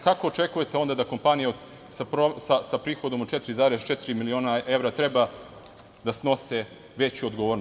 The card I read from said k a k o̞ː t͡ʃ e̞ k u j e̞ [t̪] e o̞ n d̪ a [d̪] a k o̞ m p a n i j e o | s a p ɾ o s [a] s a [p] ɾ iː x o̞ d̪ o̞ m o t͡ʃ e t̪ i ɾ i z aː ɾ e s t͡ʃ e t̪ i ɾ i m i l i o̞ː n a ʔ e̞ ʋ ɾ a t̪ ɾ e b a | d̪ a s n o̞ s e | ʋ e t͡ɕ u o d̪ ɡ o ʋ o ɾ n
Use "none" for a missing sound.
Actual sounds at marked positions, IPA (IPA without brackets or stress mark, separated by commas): t̪, d̪, a, p